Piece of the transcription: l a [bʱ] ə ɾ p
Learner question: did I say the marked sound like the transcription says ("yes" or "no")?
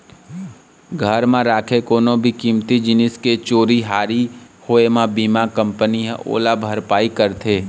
yes